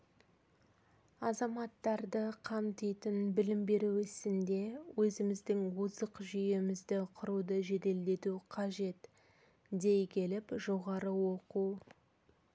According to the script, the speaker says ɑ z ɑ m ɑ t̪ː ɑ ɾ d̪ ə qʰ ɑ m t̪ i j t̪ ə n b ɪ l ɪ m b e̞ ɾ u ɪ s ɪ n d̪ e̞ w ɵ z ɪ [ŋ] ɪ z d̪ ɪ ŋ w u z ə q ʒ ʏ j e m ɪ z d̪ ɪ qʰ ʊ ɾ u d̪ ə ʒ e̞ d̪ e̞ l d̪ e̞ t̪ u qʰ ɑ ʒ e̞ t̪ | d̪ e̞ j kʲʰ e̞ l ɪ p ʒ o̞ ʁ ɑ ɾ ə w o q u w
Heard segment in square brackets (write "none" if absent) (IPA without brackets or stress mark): m